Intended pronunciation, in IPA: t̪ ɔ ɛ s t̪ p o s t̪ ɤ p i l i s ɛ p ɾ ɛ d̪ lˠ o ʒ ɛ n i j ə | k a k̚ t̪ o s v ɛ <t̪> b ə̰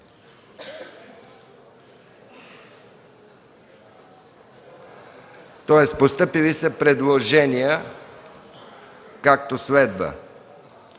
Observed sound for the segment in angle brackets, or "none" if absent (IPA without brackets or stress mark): d̪